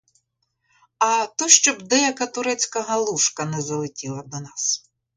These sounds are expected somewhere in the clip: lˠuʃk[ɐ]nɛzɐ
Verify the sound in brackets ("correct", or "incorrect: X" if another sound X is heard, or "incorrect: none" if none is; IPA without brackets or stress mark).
correct